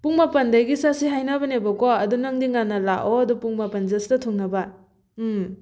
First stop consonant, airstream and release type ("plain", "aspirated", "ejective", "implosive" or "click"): plain